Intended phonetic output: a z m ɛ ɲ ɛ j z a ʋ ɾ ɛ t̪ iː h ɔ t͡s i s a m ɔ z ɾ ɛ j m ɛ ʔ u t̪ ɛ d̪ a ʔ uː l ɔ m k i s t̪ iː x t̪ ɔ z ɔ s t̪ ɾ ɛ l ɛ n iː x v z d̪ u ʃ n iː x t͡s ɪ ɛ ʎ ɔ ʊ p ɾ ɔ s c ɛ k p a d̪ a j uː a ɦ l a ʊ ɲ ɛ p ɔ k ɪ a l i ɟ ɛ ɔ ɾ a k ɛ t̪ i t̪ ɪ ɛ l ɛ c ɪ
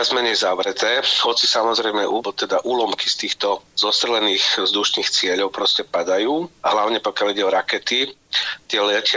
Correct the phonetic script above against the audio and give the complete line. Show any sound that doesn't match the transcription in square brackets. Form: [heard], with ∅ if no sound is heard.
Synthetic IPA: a z m ɛ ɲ ɛ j z a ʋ ɾ ɛ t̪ [ɛː] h ɔ t͡s i s a m ɔ z ɾ ɛ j m ɛ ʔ u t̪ ɛ d̪ a ʔ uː l ɔ m k i s t̪ iː x t̪ ɔ z ɔ s t̪ ɾ ɛ l ɛ n iː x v z d̪ u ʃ n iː x t͡s ɪ ɛ ʎ ɔ ʊ p ɾ ɔ s c ɛ [∅] p a d̪ a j uː a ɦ l a ʊ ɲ ɛ p ɔ k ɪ a l i ɟ ɛ ɔ ɾ a k ɛ t̪ i t̪ ɪ ɛ l ɛ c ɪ